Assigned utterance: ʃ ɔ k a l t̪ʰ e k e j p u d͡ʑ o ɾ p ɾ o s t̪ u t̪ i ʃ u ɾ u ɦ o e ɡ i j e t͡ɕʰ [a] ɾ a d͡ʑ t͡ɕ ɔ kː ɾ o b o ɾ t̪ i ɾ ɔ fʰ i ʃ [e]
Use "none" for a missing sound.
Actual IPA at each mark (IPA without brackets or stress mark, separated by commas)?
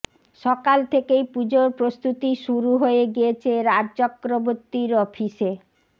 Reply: e, e